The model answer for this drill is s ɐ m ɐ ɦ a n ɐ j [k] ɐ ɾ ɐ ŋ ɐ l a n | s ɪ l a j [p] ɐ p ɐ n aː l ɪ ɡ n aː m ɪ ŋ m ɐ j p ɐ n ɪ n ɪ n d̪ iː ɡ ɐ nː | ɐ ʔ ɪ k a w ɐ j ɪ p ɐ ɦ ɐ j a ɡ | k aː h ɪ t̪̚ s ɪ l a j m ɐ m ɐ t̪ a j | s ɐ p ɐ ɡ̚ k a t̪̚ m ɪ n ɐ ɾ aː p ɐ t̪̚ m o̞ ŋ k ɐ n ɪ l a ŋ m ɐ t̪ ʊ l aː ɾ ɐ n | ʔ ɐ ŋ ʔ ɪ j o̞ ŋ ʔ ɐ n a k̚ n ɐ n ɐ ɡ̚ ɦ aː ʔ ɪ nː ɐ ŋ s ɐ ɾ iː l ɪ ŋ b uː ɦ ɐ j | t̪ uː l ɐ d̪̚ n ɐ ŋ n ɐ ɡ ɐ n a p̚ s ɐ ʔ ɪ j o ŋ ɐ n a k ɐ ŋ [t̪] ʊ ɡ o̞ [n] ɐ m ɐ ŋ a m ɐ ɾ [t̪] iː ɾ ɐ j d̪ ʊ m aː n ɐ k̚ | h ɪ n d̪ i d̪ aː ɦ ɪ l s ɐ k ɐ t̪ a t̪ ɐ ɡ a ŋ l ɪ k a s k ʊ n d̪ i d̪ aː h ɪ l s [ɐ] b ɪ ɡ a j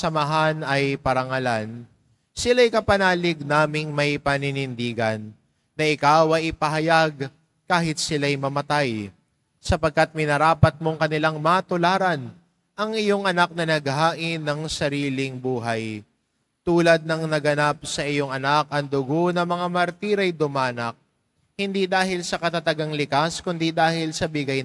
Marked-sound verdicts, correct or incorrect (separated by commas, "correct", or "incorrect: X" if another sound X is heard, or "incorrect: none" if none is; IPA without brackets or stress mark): incorrect: p, incorrect: k, incorrect: d̪, correct, correct, correct